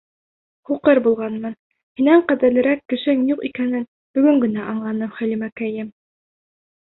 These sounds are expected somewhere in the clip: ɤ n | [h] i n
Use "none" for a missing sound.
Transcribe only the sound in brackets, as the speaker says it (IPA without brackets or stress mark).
h